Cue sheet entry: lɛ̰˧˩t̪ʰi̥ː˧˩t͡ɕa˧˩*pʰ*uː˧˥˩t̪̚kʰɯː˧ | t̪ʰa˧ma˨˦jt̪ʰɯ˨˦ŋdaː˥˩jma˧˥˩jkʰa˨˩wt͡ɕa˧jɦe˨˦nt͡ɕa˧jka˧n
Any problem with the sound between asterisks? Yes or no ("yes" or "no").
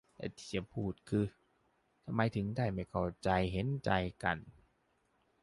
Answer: no